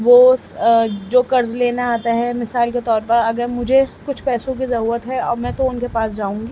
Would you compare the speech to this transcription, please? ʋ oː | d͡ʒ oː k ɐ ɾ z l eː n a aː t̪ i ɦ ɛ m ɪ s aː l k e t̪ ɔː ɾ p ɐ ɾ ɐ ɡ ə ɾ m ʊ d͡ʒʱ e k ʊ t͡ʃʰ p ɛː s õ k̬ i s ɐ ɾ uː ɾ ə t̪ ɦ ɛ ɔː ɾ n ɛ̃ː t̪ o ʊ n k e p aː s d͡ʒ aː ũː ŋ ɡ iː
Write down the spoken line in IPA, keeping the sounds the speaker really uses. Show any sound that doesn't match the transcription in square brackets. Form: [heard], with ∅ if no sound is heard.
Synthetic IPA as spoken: ʋ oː | d͡ʒ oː k ɐ ɾ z l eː n a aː t̪ [a] ɦ ɛ m ɪ s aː l k e t̪ ɔː ɾ p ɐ ɾ ɐ ɡ ə ɾ m ʊ d͡ʒʱ e k ʊ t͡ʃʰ p ɛː s õ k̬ i [z] ɐ ɾ uː ɾ ə t̪ ɦ ɛ ɔː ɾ [m] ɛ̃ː t̪ o ʊ n k e p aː s d͡ʒ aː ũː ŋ ɡ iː